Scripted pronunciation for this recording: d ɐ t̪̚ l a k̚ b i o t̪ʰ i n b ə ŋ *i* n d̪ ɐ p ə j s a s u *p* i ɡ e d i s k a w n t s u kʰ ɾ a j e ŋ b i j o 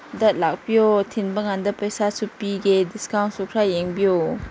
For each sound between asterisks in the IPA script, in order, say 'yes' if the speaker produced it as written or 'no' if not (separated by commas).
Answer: no, yes